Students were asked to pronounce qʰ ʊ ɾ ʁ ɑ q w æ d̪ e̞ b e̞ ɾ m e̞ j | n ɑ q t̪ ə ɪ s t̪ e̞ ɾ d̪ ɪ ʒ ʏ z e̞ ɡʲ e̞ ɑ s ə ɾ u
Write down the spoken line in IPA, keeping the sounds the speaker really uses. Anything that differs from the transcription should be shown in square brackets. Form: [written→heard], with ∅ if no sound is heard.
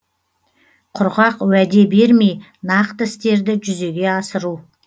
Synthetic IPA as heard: qʰ ʊ ɾ ʁ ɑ q w æ d̪ e̞ b e̞ ɾ m e̞ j | n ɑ q t̪ ə ɪ s t̪ e̞ ɾ d̪ ɪ ʒ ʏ z e̞ ɡʲ e̞ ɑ s ə ɾ u